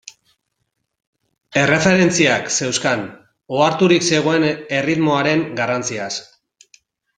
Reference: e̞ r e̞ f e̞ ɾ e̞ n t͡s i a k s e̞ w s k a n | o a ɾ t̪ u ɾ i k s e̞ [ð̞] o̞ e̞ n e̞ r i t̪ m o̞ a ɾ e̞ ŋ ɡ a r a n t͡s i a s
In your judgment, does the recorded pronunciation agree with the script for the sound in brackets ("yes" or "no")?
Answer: no